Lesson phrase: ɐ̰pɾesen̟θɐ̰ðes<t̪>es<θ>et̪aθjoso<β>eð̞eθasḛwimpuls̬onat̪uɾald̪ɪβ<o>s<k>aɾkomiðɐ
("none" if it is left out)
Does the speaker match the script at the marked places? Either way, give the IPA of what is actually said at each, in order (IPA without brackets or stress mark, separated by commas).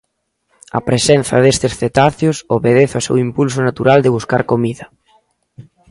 t̪, θ, β, u, k